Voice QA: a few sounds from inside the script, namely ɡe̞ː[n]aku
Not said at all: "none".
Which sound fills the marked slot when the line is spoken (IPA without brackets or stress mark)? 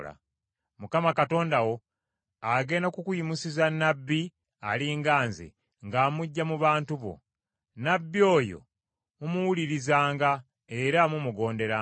n